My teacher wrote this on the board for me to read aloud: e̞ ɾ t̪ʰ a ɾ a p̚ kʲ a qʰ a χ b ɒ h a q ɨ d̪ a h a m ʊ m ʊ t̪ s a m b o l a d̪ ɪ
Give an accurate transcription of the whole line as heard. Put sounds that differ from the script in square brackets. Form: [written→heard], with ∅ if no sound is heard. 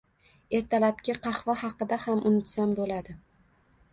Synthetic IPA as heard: e̞ ɾ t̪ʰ a [ɾ→l] a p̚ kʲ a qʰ [a→ɑ] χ [b→v] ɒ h [a→ɑ] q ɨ d̪ a h a m ʊ [m→n] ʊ t̪ s a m b o l a d̪ ɪ